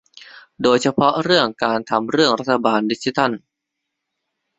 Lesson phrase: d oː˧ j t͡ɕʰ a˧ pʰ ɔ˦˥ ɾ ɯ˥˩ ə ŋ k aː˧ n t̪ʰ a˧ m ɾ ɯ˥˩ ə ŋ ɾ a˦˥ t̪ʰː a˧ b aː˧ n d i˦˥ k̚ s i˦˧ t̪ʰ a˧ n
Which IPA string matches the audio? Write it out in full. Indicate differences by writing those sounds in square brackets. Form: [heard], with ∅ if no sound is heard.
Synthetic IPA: d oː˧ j t͡ɕʰ a˧ pʰ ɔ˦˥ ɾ ɯ˥˩ ə ŋ k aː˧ n t̪ʰ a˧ m ɾ ɯ˥˩ ə ŋ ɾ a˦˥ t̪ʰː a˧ b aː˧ n d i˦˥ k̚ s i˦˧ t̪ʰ [a˥˩] n